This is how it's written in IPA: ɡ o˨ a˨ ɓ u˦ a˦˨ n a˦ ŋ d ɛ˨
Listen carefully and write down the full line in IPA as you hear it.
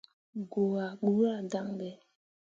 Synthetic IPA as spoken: ɡ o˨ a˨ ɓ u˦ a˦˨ d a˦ ŋ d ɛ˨